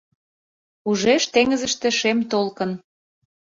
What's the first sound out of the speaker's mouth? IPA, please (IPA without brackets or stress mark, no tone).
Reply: u